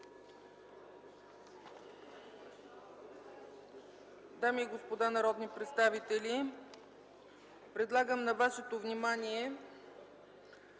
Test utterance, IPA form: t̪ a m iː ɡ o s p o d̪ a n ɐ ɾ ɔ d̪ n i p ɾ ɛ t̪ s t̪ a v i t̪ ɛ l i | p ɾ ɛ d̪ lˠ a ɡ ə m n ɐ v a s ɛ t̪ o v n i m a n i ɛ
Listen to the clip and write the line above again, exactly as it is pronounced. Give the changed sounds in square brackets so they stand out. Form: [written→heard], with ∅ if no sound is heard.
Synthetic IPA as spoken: [t̪→d̪] a m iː ɡ o s p o d̪ a n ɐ ɾ ɔ d̪ n i p ɾ ɛ t̪ s t̪ a v i t̪ ɛ l i | p ɾ ɛ d̪ lˠ a ɡ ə m n ɐ v a [s→ʃ] ɛ t̪ o v n i m a n i ɛ